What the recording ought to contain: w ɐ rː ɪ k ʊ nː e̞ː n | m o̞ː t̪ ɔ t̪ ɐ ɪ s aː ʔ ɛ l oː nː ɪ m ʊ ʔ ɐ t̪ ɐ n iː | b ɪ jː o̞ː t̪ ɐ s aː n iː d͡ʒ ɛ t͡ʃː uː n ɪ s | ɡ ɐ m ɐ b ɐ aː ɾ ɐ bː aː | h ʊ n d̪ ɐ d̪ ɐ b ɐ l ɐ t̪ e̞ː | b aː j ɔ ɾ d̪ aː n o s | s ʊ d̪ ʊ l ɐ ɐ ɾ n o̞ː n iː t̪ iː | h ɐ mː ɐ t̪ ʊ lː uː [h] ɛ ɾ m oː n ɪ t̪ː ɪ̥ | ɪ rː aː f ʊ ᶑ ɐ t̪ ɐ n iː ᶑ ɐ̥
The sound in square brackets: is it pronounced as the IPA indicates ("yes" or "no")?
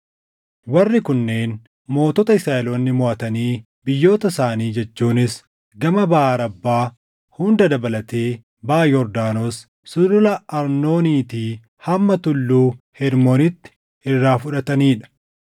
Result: yes